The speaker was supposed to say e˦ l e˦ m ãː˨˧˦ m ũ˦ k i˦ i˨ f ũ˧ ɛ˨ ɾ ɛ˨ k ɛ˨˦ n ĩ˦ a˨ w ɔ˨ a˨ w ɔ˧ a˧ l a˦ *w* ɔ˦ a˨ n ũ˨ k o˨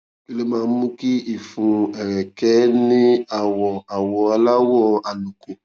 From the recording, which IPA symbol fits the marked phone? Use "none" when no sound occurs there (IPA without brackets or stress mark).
w